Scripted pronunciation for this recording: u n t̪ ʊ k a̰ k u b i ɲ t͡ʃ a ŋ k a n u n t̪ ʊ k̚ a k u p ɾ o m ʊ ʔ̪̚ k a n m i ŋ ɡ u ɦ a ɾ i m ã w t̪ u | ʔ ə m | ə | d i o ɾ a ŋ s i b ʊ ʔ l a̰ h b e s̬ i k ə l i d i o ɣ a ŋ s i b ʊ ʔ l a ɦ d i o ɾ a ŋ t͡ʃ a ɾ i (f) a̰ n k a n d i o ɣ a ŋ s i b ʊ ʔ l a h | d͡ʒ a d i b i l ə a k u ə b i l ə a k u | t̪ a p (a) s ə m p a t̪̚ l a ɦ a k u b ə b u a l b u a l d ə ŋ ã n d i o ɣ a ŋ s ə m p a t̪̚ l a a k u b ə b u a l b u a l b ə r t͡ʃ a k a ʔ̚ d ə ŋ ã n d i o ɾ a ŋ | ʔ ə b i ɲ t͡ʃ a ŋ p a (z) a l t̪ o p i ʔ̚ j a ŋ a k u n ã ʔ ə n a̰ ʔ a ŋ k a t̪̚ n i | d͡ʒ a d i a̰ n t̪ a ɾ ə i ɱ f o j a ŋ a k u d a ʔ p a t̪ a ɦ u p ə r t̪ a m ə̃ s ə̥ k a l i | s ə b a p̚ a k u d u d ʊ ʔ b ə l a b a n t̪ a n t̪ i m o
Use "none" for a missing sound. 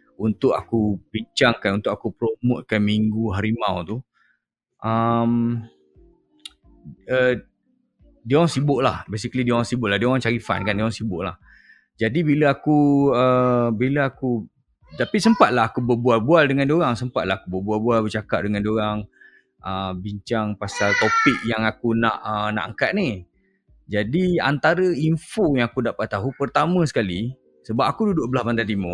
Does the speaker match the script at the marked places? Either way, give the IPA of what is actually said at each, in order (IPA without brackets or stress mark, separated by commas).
f, i, s